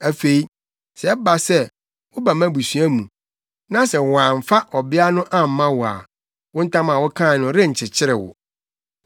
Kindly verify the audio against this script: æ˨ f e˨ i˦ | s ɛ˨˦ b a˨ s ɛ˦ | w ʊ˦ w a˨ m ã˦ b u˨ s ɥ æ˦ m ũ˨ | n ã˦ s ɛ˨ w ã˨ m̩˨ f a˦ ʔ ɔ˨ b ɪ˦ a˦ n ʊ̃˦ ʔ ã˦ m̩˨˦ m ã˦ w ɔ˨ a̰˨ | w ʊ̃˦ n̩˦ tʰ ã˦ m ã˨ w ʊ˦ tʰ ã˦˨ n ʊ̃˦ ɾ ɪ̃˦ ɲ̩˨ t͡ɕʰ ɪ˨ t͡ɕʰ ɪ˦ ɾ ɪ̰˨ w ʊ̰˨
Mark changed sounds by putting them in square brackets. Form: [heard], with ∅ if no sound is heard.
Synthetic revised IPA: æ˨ f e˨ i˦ | s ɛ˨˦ b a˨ s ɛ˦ | w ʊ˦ [b] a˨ m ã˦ b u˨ s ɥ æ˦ m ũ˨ | n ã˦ s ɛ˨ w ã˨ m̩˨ f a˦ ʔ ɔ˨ b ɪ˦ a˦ n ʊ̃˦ ʔ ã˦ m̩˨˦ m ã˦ w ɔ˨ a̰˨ | w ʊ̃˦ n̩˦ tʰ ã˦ m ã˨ w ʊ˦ [kʰ] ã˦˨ n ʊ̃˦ ɾ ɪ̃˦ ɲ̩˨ t͡ɕʰ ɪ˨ t͡ɕʰ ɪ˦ ɾ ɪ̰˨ w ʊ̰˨